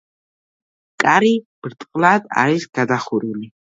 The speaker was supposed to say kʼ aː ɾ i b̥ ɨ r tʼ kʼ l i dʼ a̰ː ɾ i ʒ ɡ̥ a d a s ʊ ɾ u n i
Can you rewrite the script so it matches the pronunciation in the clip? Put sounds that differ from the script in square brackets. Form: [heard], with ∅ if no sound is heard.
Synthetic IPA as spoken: kʼ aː ɾ i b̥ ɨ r tʼ [qʼ] l [a] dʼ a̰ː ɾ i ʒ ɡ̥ a d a [χ] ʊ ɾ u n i